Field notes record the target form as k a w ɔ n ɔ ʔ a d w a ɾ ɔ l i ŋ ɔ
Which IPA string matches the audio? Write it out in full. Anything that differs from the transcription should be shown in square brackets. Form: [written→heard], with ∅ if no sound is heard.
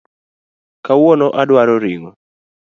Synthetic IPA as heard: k a w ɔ n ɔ ʔ a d w a ɾ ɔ [l→ɾ] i ŋ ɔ